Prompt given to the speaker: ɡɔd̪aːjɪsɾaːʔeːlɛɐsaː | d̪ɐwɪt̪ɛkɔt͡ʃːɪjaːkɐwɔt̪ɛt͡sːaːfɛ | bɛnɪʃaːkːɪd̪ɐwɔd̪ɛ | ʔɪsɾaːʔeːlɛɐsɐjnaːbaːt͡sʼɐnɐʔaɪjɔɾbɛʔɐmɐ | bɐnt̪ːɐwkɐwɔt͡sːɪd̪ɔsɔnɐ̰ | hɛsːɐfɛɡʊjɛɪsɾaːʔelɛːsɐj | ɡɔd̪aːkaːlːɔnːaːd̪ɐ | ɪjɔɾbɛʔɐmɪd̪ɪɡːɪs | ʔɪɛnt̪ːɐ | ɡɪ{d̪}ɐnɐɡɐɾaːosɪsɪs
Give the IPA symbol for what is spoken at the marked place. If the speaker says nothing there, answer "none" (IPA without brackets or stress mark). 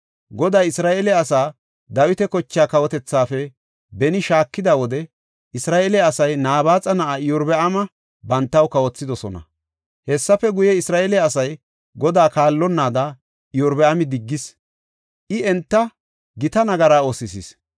t̪